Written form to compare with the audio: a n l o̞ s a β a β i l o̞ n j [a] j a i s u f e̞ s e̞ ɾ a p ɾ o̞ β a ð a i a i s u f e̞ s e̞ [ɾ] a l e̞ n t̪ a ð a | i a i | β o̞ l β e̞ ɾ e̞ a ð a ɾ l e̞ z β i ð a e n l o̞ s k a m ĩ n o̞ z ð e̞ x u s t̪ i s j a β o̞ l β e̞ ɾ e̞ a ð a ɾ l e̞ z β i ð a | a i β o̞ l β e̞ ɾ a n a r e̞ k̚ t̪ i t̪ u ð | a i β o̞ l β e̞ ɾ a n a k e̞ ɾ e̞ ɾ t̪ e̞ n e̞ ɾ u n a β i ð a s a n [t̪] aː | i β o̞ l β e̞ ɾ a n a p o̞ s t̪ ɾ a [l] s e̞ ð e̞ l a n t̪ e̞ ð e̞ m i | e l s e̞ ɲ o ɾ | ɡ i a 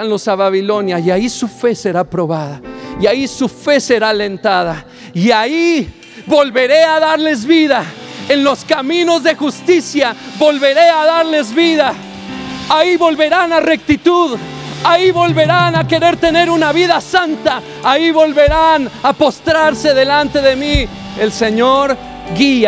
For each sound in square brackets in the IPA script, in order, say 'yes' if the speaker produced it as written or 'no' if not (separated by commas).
yes, yes, yes, no